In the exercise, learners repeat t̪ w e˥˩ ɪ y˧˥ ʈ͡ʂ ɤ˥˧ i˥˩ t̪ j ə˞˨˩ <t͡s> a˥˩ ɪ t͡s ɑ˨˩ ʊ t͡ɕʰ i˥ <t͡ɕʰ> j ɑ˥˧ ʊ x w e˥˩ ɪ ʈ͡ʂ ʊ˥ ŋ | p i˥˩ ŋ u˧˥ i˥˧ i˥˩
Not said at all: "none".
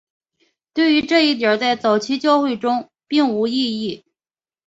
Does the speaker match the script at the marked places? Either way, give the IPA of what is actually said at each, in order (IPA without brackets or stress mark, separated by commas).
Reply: t͡s, t͡ɕ